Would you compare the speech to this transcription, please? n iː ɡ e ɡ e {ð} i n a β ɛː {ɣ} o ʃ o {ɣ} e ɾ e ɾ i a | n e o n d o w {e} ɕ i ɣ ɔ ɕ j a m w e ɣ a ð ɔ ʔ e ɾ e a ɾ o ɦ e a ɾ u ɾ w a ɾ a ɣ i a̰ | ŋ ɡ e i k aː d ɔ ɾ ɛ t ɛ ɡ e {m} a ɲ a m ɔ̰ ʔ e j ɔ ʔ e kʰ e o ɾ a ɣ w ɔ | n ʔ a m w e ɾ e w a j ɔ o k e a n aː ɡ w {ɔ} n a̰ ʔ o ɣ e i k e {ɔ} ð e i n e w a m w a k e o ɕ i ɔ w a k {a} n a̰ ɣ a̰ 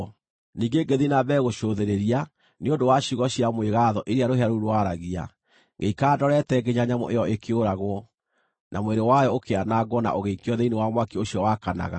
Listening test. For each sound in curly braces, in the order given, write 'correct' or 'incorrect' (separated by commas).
correct, correct, incorrect, incorrect, incorrect, correct, correct, correct